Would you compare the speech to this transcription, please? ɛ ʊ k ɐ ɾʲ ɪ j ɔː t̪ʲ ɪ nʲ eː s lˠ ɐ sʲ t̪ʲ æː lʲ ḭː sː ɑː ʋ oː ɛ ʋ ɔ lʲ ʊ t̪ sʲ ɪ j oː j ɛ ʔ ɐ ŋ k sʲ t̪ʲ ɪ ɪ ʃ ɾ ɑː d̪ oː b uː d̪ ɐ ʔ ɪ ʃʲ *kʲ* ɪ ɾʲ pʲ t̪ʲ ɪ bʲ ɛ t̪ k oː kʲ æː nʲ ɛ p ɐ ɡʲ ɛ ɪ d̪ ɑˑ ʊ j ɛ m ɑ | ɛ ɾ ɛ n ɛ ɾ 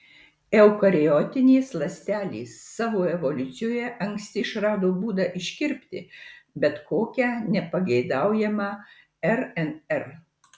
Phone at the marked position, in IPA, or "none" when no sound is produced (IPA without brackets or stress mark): kʲ